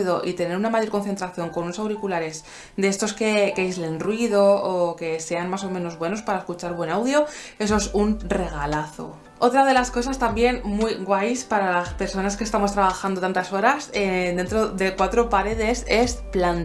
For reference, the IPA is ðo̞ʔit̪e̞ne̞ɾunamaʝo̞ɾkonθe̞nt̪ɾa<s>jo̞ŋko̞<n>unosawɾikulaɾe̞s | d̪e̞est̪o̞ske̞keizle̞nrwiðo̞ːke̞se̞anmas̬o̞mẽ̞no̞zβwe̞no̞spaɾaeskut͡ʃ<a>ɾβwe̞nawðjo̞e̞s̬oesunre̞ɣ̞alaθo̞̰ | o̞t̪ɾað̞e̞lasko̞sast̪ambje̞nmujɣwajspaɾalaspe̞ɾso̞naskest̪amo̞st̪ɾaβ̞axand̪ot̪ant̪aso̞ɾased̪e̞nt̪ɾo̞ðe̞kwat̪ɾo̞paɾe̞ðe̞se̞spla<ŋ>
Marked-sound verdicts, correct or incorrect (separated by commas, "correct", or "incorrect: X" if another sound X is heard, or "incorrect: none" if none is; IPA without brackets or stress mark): incorrect: θ, correct, correct, incorrect: n